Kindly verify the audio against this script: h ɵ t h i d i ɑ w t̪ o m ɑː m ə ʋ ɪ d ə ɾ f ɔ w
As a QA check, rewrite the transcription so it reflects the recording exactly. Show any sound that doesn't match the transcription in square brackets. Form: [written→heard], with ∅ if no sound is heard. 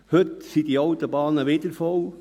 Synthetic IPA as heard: h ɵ t [h→s] i d i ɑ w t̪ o [m→b] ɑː [m→n] ə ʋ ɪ d ə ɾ f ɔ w